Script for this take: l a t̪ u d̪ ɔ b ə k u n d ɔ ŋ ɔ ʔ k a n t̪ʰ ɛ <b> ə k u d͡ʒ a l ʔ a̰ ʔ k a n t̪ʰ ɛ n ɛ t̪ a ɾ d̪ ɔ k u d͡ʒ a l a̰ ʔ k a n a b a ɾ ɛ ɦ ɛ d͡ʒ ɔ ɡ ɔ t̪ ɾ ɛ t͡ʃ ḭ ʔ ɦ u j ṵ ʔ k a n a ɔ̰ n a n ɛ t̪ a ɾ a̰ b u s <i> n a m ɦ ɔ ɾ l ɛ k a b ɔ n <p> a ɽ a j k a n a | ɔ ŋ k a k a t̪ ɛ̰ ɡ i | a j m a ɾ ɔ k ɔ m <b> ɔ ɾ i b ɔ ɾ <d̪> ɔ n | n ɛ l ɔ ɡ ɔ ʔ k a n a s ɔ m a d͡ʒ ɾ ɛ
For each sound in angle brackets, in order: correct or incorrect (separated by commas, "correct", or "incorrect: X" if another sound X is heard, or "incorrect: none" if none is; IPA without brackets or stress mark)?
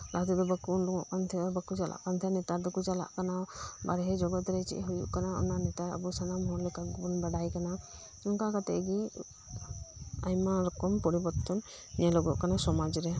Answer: correct, incorrect: a, incorrect: b, incorrect: p, incorrect: t̪